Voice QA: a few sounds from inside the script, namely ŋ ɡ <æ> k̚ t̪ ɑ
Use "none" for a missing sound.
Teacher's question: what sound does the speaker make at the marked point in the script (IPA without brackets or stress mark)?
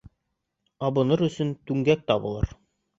æ